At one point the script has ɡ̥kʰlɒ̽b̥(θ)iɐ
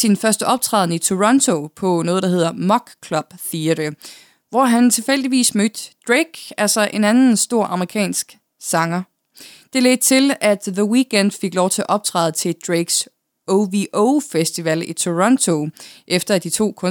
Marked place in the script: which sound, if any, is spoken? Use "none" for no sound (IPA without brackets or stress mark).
θ